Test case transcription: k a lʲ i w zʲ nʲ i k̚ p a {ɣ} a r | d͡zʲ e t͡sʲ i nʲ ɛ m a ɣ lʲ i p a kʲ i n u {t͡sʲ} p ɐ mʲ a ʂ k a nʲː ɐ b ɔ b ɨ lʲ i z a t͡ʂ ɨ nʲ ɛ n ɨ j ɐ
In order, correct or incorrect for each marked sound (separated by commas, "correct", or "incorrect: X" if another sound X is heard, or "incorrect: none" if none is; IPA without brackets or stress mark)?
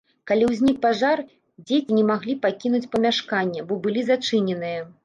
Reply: incorrect: ʐ, correct